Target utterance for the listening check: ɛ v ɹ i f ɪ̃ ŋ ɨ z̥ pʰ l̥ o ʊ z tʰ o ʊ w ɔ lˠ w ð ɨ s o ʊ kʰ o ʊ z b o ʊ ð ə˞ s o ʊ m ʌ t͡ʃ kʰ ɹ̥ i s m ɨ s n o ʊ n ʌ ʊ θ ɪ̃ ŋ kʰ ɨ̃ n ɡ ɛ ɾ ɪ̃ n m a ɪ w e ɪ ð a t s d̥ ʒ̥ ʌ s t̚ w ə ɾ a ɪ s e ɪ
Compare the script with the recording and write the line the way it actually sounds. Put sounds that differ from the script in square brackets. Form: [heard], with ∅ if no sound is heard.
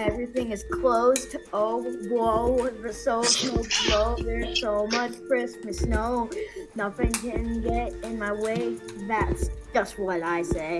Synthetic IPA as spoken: ɛ v ɹ i [θ] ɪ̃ ŋ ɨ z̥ [kʰ] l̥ o ʊ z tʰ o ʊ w ɔ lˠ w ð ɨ s o ʊ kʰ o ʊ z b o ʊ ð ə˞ s o ʊ m ʌ t͡ʃ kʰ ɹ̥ [ɪ] s m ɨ s n o ʊ n ʌ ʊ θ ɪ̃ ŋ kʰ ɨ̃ n ɡ ɛ ɾ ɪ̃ n m a ɪ w e ɪ ð [æ] t s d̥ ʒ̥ ʌ s t̚ w [ʌ] ɾ a ɪ s e ɪ

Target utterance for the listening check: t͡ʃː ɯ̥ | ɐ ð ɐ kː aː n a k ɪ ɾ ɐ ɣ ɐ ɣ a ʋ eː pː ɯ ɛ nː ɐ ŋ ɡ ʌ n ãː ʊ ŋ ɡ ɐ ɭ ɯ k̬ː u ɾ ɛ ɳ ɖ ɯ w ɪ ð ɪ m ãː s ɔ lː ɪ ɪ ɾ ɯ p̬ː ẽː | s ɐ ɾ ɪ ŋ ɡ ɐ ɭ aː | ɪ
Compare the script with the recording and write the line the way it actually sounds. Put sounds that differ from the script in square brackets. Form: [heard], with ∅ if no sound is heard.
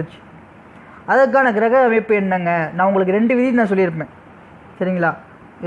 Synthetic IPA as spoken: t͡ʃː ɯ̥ | ɐ ð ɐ kː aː n [ɐ] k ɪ ɾ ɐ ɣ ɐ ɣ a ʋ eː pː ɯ ɛ nː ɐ ŋ ɡ [ɐ] n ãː ʊ ŋ ɡ ɐ ɭ ɯ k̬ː [ɯ] ɾ ɛ ɳ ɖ ɯ [ʋ] ɪ ð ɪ [n] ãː s ɔ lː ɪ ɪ ɾ ɯ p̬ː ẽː | s ɐ ɾ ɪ ŋ ɡ ɐ ɭ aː | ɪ

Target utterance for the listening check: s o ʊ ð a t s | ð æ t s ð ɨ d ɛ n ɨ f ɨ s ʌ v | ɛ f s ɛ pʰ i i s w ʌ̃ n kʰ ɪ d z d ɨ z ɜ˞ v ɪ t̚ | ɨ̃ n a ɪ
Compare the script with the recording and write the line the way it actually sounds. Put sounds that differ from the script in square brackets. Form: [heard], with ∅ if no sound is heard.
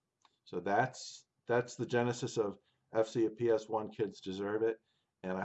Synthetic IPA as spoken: s o ʊ ð [æ] t s | ð æ t s ð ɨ [d͡ʒ] ɛ n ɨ [s] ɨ s ʌ v | ɛ f s [i] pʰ i [ɛ] s w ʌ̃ n kʰ ɪ d z d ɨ z ɜ˞ v ɪ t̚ | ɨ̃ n a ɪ

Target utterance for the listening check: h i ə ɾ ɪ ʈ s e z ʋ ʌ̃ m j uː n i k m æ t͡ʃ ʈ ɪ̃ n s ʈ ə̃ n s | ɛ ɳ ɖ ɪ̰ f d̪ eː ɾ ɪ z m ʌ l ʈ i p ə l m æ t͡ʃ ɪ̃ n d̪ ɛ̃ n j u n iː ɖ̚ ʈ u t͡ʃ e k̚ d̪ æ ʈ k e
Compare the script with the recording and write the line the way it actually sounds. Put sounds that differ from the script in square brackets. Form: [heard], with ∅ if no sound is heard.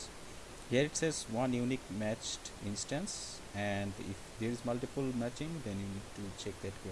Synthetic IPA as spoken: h i ə ɾ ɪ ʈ s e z ʋ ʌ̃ [n] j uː n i k m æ t͡ʃ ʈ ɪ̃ n s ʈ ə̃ n s | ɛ ɳ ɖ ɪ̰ f d̪ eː ɾ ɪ z m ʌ l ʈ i p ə l m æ t͡ʃ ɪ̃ [ŋ] d̪ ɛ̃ n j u n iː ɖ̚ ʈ u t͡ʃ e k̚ d̪ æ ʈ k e

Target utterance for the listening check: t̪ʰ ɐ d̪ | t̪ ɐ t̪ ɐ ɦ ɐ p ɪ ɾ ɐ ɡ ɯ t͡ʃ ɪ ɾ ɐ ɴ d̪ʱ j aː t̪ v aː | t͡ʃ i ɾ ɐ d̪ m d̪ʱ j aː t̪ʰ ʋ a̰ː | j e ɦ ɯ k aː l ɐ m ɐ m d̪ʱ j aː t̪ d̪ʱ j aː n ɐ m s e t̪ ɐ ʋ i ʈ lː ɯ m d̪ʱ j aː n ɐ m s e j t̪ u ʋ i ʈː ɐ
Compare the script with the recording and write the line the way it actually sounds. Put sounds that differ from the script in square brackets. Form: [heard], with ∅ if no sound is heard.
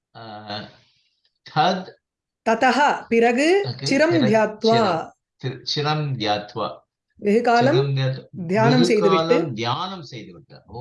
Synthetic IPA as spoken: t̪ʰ ɐ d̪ | t̪ ɐ t̪ ɐ ɦ ɐ p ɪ ɾ ɐ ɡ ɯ t͡ʃ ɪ ɾ ɐ [m] d̪ʱ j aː t̪ [ʋ] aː | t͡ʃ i ɾ ɐ [∅] m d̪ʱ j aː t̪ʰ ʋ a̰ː | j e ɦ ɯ k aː l ɐ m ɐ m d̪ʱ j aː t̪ d̪ʱ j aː n ɐ m s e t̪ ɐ ʋ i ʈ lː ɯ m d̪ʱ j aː n ɐ m s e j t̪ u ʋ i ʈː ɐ

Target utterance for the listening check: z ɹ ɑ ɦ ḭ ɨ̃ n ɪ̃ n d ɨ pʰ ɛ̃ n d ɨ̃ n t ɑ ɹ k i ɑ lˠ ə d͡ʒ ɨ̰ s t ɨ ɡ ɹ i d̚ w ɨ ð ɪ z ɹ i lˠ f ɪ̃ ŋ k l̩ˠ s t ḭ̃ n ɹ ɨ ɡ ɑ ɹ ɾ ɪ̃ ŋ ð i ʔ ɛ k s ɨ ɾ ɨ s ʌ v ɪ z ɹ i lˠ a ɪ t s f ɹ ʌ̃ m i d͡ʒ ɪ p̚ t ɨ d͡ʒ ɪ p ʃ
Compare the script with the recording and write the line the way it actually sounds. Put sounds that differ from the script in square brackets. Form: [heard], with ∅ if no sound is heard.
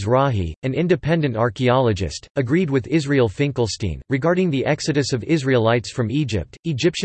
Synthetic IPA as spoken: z ɹ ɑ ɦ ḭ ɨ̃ n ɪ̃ n d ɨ pʰ ɛ̃ n d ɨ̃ n t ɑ ɹ k i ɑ lˠ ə d͡ʒ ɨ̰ s t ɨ ɡ ɹ i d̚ w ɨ ð ɪ z ɹ i lˠ f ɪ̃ ŋ k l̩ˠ s t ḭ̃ n ɹ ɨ ɡ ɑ ɹ ɾ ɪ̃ ŋ ð i ʔ ɛ k s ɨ ɾ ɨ s ʌ v ɪ z ɹ i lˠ a ɪ t s f ɹ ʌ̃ m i d͡ʒ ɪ p̚ t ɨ d͡ʒ ɪ p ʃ

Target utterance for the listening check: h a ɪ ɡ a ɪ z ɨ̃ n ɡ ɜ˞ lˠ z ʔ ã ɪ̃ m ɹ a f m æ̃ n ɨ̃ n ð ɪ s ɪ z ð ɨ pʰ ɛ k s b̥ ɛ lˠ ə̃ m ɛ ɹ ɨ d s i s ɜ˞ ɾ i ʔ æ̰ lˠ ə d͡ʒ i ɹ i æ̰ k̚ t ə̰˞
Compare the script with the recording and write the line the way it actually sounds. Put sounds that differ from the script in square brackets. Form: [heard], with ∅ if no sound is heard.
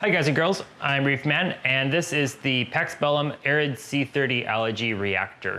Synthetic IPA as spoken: h a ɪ ɡ a ɪ z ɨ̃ n ɡ ɜ˞ lˠ z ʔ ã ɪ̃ m ɹ [i] f m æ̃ n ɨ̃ n ð ɪ s ɪ z ð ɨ pʰ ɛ k s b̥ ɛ lˠ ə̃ m ɛ ɹ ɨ d s i [θ] ɜ˞ ɾ i ʔ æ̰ lˠ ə d͡ʒ i ɹ i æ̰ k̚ t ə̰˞

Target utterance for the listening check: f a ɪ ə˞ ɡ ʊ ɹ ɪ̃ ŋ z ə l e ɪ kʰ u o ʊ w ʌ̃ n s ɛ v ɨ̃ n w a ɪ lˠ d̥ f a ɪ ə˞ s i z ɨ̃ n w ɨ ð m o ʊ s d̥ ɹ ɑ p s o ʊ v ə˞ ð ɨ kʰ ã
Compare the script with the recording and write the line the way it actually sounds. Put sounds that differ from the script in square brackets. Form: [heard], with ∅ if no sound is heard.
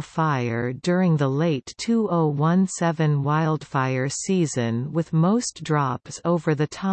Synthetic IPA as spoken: f a ɪ ə˞ [d] ʊ ɹ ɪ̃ ŋ [ð] ə l e ɪ [tʰ] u o ʊ w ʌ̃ n s ɛ v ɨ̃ n w a ɪ lˠ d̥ f a ɪ ə˞ s i z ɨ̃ n w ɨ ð m o ʊ s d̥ ɹ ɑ p s o ʊ v ə˞ ð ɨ [tʰ] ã

